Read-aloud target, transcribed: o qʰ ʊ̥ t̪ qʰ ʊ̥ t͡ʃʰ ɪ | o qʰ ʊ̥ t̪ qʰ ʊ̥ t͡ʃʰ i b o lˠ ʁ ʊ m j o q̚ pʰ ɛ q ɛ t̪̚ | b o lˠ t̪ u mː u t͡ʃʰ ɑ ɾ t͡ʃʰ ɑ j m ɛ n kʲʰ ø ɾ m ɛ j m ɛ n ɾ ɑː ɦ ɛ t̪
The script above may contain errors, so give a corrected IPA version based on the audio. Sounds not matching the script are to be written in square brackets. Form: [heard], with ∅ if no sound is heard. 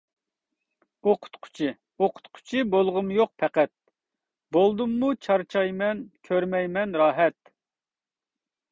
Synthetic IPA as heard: o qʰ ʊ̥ t̪ qʰ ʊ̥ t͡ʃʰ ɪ | o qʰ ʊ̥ t̪ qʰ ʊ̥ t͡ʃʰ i b o lˠ ʁ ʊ m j o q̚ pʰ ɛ q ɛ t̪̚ | b o lˠ [d̪] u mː u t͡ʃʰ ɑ ɾ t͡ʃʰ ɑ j m ɛ n kʲʰ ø ɾ m ɛ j m ɛ n ɾ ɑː ɦ ɛ t̪

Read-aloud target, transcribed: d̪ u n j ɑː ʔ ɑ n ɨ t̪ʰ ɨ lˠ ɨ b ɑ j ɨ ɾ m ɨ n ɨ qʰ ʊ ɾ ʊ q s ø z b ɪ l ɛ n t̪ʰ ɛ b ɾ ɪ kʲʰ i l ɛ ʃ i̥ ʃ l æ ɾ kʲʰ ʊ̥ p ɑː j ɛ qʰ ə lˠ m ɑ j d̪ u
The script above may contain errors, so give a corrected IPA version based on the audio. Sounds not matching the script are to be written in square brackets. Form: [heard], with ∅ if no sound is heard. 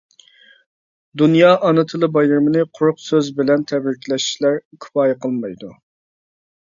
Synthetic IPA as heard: d̪ u n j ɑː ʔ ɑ n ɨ t̪ʰ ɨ lˠ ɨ b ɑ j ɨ ɾ m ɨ n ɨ qʰ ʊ ɾ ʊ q s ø z b ɪ l ɛ n t̪ʰ ɛ b ɾ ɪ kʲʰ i l ɛ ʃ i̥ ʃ l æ ɾ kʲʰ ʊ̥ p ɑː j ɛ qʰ ə lˠ m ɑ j d̪ u

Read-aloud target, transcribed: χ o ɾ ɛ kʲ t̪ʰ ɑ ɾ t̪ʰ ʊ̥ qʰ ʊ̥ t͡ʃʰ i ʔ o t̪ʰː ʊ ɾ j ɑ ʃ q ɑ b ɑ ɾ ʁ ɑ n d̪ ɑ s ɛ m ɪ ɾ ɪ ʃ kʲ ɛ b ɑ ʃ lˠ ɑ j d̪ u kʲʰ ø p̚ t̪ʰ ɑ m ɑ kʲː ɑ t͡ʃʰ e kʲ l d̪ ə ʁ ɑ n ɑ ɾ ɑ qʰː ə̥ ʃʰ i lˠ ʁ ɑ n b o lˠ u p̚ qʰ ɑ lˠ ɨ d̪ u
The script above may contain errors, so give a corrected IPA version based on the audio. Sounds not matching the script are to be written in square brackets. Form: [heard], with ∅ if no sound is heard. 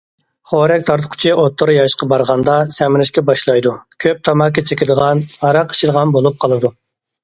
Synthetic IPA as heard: χ o ɾ ɛ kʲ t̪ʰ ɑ ɾ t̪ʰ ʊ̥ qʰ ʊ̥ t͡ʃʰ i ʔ o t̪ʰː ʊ ɾ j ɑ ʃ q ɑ b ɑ ɾ ʁ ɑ n d̪ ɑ s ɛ m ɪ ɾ ɪ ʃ kʲ ɛ b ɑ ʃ lˠ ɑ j d̪ u kʲʰ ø p̚ t̪ʰ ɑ m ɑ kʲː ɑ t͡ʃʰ e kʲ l d̪ ə ʁ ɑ n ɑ ɾ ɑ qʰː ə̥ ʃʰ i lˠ ʁ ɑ n b o lˠ u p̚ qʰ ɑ lˠ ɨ d̪ u

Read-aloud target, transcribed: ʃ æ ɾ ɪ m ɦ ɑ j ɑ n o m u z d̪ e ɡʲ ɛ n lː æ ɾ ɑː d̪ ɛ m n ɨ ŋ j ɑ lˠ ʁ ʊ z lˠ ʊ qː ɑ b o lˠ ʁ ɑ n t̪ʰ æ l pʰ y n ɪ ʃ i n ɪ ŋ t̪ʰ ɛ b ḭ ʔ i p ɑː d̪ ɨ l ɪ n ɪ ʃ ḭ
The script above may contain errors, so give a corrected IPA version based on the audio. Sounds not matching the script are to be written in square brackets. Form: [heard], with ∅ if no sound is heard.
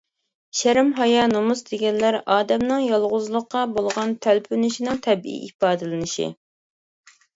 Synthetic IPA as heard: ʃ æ ɾ ɪ m ɦ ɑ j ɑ n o m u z d̪ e ɡʲ ɛ n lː æ ɾ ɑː d̪ ɛ m n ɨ ŋ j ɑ lˠ ʁ ʊ z lˠ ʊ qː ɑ b o lˠ ʁ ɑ n t̪ʰ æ l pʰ y n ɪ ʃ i n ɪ ŋ t̪ʰ ɛ b ḭ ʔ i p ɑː d̪ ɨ l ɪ n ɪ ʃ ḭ

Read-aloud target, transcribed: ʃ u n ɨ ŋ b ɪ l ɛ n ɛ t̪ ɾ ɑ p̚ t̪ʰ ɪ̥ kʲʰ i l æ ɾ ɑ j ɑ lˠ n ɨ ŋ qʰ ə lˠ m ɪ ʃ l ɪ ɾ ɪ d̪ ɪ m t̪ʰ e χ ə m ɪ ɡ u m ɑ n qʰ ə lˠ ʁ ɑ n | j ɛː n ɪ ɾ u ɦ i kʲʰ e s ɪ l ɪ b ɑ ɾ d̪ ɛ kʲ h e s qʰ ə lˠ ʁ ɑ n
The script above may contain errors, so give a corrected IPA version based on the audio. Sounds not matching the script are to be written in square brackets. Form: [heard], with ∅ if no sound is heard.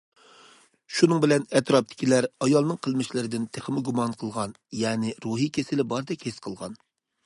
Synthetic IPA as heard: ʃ u n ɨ ŋ b ɪ l ɛ n ɛ t̪ ɾ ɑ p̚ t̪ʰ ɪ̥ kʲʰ i l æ ɾ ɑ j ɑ lˠ n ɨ ŋ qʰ ə lˠ m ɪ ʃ l ɪ ɾ ɪ d̪ ɪ [n] t̪ʰ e χ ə m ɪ ɡ u m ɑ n qʰ ə lˠ ʁ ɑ n | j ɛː n ɪ ɾ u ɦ i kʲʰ e s ɪ l ɪ b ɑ ɾ d̪ ɛ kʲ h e s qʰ ə lˠ ʁ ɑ n

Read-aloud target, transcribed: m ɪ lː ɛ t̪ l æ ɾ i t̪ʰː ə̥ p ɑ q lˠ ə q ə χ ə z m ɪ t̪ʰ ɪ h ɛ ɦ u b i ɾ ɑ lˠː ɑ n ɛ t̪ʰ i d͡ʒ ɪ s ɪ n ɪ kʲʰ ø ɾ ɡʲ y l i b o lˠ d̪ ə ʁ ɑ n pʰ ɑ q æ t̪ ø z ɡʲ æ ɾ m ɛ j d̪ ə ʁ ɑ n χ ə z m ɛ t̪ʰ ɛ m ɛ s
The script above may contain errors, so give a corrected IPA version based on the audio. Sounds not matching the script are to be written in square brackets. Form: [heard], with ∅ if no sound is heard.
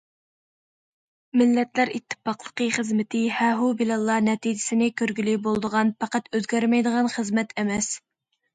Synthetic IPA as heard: m ɪ lː ɛ t̪ l æ ɾ i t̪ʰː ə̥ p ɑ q lˠ ə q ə χ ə z m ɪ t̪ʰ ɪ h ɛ ɦ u b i [l] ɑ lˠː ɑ n ɛ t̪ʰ i d͡ʒ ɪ s ɪ n ɪ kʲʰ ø ɾ ɡʲ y l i b o lˠ d̪ ə ʁ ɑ n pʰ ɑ q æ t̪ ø z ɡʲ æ ɾ m ɛ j d̪ ə ʁ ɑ n χ ə z m ɛ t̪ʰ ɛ m ɛ s

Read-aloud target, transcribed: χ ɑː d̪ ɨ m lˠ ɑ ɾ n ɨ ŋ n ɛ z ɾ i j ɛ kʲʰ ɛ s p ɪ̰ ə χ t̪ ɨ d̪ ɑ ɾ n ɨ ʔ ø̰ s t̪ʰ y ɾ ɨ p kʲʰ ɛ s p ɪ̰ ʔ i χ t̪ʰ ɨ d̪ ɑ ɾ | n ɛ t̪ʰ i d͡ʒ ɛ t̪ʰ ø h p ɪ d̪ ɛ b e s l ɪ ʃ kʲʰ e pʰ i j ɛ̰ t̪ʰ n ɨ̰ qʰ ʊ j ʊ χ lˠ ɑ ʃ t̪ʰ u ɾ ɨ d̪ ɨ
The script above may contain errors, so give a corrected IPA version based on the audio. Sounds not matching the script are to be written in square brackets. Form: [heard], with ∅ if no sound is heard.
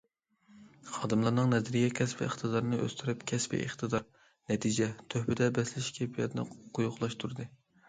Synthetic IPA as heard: χ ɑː d̪ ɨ m lˠ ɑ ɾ n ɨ ŋ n ɛ z ɾ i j ɛ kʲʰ ɛ s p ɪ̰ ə χ t̪ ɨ d̪ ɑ ɾ n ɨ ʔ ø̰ s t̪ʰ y ɾ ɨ p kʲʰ ɛ s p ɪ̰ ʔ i χ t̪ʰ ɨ d̪ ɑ ɾ | n ɛ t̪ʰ i d͡ʒ ɛ t̪ʰ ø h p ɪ d̪ ɛ b [ɛ] s l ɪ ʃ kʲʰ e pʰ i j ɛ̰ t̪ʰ n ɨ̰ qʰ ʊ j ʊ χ lˠ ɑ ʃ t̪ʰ u ɾ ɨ d̪ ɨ

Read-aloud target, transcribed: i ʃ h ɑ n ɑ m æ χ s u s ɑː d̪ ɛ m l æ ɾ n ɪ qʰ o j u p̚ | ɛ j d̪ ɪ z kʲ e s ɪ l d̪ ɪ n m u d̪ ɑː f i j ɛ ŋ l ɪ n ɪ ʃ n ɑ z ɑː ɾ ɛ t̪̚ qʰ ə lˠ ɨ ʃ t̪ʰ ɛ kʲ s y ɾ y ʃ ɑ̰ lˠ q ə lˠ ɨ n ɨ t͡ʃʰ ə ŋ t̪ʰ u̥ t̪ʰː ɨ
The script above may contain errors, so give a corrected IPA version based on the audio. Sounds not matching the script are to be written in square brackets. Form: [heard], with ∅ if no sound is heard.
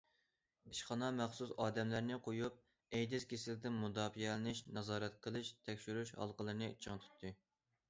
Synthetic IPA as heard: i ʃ [χ] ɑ n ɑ m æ χ s u s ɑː d̪ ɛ m l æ ɾ n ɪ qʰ o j u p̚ | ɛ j d̪ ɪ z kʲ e s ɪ l d̪ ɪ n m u d̪ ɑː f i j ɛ [∅] l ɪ n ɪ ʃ n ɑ z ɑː ɾ ɛ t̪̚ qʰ ə lˠ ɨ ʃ t̪ʰ ɛ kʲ [ʃ] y ɾ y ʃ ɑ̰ lˠ q ə lˠ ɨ n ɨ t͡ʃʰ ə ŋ t̪ʰ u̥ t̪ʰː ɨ

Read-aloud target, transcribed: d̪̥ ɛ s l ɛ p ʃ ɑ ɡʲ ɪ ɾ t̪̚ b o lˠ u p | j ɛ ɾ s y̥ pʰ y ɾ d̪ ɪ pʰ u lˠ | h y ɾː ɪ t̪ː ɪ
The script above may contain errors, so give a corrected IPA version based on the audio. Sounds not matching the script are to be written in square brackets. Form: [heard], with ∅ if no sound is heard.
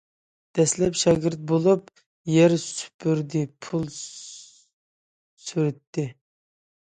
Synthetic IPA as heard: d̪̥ ɛ s l ɛ p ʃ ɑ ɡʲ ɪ ɾ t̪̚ b o lˠ u p | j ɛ ɾ s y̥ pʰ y ɾ d̪ ɪ pʰ u lˠ | [s] y [ɾ] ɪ t̪ː ɪ

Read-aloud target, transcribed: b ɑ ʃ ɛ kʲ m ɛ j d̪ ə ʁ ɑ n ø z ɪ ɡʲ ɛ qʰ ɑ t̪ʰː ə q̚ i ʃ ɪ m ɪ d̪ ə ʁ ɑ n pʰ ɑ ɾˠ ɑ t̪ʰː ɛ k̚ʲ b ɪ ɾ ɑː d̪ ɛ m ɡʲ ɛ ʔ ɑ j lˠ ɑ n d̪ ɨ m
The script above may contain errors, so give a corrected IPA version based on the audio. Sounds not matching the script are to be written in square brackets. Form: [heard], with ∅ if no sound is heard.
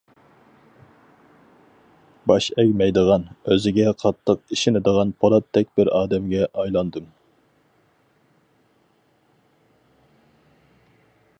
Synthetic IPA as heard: b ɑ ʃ ɛ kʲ m ɛ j d̪ ə ʁ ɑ n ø z ɪ ɡʲ ɛ qʰ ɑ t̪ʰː ə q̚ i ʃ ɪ [n] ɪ d̪ ə ʁ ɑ n pʰ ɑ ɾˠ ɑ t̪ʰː ɛ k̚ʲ b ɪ ɾ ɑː d̪ ɛ m ɡʲ ɛ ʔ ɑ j lˠ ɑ n d̪ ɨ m

